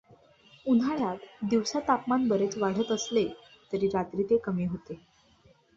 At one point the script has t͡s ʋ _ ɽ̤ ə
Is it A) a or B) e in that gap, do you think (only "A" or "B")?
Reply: A